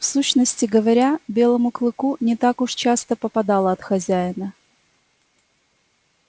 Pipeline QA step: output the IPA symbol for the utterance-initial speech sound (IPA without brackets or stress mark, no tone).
f